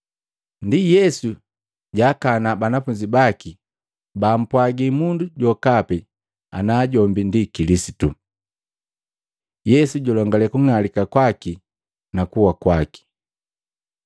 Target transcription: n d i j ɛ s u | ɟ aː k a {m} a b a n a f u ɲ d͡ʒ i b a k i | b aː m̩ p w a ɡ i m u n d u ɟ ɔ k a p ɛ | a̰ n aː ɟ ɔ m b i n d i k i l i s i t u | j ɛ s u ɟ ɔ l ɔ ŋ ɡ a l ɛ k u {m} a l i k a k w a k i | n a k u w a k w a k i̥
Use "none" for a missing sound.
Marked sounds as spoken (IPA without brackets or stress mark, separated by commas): n, ŋ